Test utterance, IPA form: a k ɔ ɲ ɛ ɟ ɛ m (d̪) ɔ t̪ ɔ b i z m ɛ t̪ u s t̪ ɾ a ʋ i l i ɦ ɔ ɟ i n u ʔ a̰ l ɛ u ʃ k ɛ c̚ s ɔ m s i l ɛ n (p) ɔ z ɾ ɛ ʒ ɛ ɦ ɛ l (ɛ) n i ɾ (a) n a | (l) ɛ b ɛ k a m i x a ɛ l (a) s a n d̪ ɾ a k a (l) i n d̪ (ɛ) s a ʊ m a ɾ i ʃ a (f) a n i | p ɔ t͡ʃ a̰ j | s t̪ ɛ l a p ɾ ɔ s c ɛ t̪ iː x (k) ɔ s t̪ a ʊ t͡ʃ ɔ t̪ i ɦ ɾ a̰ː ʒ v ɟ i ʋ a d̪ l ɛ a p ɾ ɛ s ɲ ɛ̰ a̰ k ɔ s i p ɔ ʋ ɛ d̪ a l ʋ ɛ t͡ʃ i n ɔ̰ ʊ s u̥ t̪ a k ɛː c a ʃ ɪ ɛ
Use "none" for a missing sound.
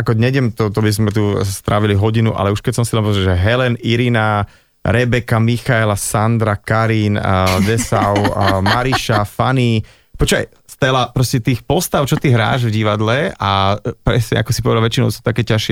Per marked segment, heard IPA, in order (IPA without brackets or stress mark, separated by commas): t̪, p, ɛ, i, ɾ, a, ɾ, ɛ, f, p